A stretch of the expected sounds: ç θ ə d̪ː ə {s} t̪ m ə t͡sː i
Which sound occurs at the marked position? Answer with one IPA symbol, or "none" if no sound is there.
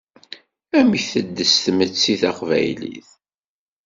s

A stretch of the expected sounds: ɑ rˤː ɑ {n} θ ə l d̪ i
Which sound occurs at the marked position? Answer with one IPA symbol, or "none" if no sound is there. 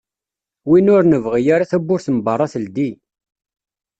none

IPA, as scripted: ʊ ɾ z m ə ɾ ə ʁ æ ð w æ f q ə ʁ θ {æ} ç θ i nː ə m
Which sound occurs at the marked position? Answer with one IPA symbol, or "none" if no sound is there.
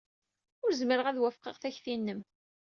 æ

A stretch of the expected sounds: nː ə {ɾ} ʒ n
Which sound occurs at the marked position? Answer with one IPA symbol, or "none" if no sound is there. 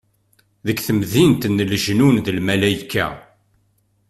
l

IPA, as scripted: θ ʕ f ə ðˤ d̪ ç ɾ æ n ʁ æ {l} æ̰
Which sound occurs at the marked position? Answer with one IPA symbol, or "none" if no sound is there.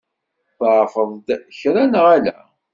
l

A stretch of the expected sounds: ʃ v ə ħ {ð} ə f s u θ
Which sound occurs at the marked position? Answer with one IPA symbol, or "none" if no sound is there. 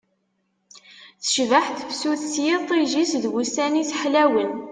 θ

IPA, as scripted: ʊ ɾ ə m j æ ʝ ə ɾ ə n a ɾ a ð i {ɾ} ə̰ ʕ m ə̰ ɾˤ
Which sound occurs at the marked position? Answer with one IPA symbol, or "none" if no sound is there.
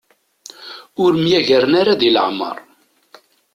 l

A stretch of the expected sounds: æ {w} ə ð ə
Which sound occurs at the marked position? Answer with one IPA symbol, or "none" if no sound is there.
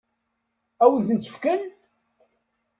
w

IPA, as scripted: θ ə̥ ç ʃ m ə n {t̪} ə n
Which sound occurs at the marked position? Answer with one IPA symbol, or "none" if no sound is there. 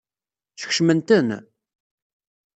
t̪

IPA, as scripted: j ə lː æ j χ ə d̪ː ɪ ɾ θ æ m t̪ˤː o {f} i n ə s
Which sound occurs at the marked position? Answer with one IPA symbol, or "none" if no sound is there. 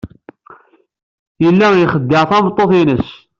θ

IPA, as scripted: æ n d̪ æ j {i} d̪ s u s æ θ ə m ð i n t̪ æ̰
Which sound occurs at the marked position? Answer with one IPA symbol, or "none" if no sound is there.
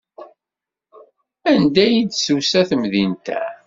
i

